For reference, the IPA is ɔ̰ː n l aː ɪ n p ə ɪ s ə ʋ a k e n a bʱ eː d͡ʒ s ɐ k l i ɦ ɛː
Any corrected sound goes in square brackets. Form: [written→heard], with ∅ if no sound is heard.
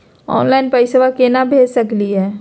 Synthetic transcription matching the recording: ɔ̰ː n l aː ɪ n p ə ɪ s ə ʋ a k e n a bʱ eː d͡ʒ s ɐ k l i ɦ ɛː